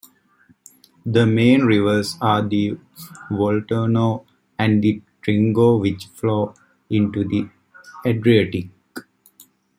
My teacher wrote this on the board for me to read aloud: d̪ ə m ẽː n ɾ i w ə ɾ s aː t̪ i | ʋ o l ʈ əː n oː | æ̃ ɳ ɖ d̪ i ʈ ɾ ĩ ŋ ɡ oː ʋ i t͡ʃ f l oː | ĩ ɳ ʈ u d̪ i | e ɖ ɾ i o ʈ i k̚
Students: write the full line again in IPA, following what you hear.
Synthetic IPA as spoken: d̪ ə m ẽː n ɾ i ʋ ə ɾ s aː d̪ i | ʋ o l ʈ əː n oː | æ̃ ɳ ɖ d̪ i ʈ ɾ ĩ ŋ ɡ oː ʋ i t͡ʃ f l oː | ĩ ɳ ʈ u d̪ i | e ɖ ɾ i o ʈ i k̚